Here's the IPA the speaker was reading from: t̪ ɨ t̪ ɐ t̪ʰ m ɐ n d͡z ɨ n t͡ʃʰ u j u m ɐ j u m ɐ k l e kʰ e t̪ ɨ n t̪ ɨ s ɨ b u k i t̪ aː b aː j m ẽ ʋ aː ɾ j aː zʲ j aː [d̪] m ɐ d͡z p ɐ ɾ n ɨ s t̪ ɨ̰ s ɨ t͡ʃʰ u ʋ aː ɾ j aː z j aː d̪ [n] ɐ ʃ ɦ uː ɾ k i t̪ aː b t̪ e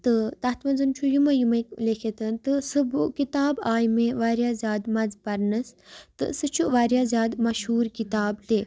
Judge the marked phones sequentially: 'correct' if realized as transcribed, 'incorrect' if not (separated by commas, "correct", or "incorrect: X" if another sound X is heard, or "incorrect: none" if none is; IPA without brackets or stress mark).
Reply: correct, incorrect: m